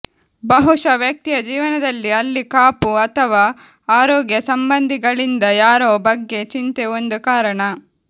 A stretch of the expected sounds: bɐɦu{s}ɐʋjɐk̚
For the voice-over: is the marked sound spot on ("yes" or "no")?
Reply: no